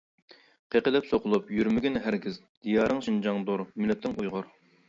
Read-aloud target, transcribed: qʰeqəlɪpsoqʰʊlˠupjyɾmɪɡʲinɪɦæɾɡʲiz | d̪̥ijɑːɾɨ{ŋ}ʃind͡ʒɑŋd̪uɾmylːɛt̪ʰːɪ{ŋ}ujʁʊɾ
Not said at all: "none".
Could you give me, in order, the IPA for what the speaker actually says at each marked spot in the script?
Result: ŋ, ŋ

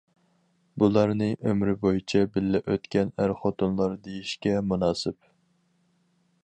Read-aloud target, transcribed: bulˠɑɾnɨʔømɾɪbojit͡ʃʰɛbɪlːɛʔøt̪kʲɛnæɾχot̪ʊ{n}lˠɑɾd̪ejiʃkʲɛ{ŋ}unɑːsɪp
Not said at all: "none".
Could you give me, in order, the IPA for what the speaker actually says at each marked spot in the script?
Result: n, m

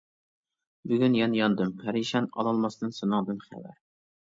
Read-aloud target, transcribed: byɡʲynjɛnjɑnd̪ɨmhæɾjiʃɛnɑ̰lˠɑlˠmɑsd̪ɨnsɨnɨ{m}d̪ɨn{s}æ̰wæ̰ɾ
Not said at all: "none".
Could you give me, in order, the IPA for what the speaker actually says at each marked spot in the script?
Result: ŋ, χ

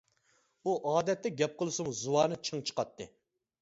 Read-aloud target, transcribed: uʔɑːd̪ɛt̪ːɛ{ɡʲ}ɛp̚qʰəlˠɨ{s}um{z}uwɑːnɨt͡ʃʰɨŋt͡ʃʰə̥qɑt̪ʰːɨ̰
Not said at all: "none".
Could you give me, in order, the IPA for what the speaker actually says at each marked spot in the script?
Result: ɡʲ, s, z

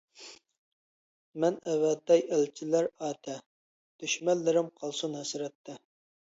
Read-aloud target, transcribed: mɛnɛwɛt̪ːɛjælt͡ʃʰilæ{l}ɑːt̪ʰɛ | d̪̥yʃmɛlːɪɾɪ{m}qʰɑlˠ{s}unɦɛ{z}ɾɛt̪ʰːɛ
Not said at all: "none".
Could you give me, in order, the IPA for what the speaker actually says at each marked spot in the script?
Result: ɾ, m, s, s

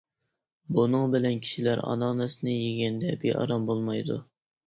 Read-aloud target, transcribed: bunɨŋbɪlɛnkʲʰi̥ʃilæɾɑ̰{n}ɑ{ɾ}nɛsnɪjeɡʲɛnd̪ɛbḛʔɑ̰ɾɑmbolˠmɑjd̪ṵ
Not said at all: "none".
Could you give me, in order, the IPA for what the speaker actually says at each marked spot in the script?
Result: n, none

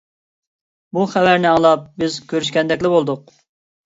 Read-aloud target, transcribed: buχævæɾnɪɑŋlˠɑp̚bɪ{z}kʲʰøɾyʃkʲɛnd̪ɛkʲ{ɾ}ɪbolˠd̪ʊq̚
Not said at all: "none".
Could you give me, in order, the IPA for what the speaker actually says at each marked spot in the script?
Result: z, l

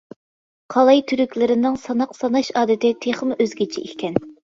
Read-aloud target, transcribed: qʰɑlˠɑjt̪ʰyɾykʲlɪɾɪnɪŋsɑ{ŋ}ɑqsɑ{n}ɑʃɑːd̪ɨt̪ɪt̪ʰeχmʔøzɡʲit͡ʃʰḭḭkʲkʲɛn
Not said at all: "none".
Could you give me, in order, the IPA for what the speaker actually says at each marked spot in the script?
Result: n, n

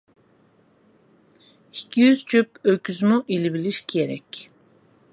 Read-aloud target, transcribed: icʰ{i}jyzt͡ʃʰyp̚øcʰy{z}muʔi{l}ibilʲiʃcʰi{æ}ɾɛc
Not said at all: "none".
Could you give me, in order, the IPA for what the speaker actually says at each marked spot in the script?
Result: i, z, l, e

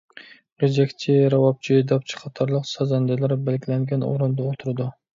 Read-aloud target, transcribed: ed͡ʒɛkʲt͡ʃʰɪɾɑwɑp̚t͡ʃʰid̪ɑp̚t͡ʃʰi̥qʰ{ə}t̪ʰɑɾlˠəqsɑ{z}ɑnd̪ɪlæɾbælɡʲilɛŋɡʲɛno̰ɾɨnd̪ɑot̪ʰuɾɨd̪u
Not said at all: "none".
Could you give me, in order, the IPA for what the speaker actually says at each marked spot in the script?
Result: ɑ, z

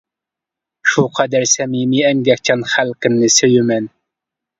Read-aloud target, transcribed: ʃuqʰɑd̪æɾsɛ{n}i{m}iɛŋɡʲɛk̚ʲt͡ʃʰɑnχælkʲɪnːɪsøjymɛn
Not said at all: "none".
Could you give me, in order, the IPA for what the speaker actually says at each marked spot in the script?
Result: m, m

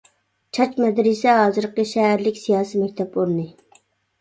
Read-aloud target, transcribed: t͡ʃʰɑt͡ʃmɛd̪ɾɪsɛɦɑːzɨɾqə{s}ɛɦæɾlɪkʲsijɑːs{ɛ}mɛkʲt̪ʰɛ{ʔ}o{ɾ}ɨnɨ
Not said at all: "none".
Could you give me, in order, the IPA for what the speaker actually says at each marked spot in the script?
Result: ʃ, i, p, ɾ

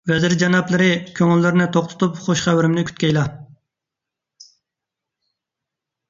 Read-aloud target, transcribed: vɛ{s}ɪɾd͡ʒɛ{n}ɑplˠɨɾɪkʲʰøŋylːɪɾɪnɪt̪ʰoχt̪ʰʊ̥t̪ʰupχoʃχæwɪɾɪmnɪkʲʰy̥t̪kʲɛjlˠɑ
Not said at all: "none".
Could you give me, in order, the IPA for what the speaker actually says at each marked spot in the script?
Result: z, n

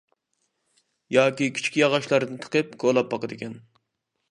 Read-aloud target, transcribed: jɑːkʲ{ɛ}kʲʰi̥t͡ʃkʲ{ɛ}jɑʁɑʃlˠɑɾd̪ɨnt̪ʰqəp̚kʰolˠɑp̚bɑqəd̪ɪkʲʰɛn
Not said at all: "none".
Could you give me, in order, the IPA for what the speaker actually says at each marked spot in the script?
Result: i, i

